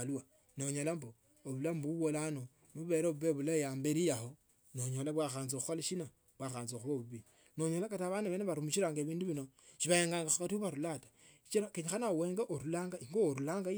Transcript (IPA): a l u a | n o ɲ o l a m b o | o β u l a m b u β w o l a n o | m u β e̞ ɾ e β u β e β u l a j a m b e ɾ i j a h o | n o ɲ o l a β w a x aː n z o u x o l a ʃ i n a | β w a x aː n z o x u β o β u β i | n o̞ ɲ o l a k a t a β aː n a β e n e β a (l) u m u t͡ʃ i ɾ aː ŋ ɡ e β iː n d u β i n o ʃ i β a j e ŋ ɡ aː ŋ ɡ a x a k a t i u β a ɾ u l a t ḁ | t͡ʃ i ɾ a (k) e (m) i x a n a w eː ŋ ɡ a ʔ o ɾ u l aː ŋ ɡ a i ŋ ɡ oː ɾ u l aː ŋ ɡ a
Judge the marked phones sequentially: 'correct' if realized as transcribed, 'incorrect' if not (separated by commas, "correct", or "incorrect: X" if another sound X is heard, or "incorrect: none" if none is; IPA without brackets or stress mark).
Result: incorrect: ɾ, correct, incorrect: ɲ